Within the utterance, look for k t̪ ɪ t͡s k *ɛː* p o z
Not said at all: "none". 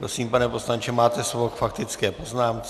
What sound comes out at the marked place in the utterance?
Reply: ɛː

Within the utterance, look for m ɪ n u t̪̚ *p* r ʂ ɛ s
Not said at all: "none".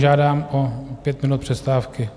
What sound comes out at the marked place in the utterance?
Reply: p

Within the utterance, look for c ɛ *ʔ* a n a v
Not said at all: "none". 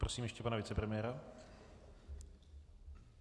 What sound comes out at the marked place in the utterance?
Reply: p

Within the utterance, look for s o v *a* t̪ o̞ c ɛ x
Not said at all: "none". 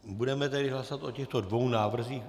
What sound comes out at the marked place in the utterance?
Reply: a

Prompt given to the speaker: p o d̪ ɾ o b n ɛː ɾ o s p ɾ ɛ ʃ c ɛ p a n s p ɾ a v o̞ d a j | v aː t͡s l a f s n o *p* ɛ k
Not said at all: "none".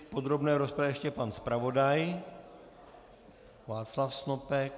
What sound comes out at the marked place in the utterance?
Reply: p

